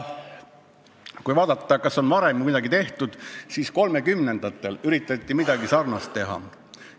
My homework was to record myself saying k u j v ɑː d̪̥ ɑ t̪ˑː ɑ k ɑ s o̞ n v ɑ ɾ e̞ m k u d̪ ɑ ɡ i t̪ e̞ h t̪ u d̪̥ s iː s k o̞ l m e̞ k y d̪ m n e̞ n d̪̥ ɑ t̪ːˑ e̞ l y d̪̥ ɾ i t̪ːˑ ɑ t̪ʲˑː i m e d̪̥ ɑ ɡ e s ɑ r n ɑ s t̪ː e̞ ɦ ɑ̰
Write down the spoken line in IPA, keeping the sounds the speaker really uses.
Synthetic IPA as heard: k u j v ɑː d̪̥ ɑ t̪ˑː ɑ k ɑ s o̞ n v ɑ ɾ e̞ m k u d̪ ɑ ɡ i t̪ e̞ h t̪ u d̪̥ s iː s k o̞ l m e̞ k y m n e̞ n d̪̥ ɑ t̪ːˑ e̞ l y ɾ i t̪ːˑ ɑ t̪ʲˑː i m i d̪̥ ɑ ɡ i s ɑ r n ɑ s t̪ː e̞ ɦ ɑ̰